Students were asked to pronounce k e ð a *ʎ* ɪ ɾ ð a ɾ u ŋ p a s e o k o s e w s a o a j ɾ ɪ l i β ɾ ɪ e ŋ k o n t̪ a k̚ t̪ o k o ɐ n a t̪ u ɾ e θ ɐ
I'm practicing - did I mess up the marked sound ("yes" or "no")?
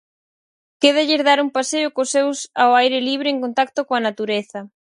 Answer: no